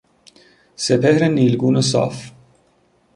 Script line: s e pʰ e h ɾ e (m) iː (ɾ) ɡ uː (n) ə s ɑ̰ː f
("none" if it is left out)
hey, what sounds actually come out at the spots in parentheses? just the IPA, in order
n, l, n

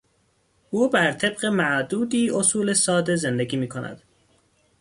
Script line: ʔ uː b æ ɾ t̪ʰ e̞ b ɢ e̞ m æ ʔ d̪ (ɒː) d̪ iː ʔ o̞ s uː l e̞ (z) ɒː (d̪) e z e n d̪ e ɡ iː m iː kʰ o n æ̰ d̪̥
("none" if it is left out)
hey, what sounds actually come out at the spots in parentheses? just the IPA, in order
uː, s, d̪

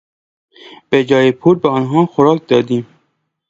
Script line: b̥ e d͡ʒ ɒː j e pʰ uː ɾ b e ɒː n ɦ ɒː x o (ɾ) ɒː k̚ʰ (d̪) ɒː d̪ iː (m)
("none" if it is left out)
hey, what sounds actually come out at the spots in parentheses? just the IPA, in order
ɾ, d̪, m

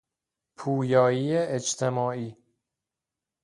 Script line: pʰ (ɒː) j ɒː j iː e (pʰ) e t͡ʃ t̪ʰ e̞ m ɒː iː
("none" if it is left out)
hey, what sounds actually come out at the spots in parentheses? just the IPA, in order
uː, none

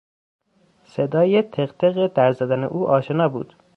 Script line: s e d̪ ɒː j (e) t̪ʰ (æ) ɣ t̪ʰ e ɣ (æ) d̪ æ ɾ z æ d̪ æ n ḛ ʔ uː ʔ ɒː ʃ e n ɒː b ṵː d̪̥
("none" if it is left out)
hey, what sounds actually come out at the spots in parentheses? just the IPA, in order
e, e, e

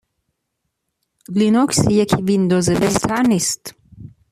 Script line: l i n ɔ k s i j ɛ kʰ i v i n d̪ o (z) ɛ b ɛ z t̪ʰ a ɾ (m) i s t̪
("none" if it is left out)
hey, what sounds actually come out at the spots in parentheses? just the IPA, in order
z, n

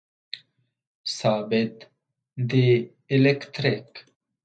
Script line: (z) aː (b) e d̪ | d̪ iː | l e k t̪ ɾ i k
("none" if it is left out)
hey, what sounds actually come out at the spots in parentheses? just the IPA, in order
s, b

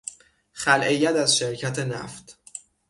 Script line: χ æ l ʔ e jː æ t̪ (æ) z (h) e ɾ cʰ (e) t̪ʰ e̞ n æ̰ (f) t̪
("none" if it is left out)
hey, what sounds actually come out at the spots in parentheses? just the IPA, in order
æ, ʃ, æ, f

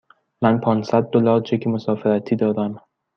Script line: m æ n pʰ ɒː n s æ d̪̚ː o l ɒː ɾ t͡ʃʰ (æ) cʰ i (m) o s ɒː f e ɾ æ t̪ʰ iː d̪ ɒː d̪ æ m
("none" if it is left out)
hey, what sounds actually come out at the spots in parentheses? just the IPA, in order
e, m

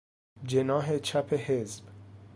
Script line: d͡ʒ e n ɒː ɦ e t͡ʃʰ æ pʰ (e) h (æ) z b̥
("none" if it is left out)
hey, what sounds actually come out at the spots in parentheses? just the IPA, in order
e, e

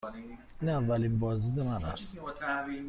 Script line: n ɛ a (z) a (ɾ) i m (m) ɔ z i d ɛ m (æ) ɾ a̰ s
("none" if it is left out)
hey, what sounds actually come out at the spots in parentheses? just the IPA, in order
v, l, b, a

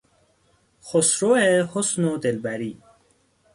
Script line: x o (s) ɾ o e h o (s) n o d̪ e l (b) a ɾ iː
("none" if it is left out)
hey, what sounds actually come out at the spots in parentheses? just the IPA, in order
s, s, b

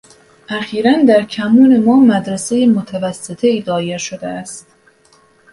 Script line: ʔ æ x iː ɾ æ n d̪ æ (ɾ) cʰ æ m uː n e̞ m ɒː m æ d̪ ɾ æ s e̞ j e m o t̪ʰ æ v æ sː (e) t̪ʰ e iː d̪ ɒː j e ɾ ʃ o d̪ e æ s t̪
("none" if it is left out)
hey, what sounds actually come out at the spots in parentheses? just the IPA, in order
ɾ, e

